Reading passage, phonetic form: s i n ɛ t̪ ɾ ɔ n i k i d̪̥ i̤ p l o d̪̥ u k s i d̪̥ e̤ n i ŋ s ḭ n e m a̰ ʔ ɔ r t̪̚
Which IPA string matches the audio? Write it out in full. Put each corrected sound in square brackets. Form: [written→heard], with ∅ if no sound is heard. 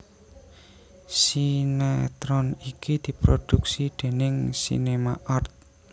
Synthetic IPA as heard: s i n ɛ t̪ ɾ ɔ n i k i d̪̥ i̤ p [l→ɾ] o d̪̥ u k s i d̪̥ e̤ n [i→ɪ] ŋ s ḭ n e m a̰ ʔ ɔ r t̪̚